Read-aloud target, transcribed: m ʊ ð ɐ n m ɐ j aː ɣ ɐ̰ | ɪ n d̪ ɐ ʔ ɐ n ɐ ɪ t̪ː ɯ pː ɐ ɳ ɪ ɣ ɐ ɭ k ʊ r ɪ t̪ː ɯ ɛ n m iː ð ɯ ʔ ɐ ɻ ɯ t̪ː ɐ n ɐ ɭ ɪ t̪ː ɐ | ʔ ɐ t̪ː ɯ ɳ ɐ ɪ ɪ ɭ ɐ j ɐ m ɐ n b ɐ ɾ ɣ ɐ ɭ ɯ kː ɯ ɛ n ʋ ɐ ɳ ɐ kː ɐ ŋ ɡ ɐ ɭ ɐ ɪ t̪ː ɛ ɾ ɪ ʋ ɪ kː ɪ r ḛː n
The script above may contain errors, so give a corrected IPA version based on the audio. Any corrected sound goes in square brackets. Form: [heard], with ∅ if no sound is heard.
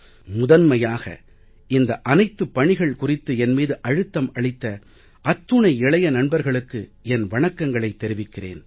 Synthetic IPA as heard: m ʊ ð ɐ n m ɐ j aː ɣ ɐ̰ | ɪ n d̪ ɐ ʔ ɐ n ɐ ɪ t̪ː ɯ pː ɐ ɳ ɪ ɣ ɐ ɭ k ʊ r ɪ t̪ː ɯ ɛ n m iː ð ɯ ʔ ɐ ɻ ɯ t̪ː ɐ [m] ɐ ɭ ɪ t̪ː ɐ | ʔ ɐ t̪ː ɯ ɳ ɐ ɪ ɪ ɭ ɐ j ɐ [n] ɐ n b ɐ ɾ ɣ ɐ ɭ ɯ kː ɯ ɛ n ʋ ɐ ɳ ɐ kː ɐ ŋ ɡ ɐ ɭ ɐ ɪ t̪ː ɛ ɾ ɪ ʋ ɪ kː ɪ r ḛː n